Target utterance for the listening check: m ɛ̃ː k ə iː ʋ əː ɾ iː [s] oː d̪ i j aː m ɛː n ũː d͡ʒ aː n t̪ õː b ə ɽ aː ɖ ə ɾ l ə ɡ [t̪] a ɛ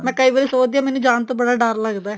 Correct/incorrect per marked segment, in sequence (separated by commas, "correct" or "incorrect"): correct, incorrect